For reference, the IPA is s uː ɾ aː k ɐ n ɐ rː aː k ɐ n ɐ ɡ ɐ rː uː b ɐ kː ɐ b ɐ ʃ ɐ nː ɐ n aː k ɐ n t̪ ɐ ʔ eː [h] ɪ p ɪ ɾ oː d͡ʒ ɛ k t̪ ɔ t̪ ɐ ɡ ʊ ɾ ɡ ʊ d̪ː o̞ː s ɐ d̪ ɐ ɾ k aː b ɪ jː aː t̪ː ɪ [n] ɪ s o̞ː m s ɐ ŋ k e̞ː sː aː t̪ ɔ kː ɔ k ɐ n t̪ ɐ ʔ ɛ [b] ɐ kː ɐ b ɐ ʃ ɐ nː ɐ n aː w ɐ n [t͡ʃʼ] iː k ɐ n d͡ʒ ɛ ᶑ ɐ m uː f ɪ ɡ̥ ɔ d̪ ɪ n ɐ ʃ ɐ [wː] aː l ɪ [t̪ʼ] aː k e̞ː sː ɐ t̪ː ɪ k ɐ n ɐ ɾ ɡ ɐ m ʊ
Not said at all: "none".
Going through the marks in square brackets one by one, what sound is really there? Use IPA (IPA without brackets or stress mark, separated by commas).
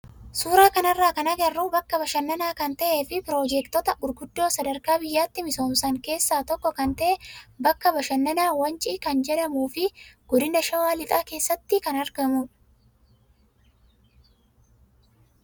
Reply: f, m, b, t͡ʃʼ, w, t̪ʼ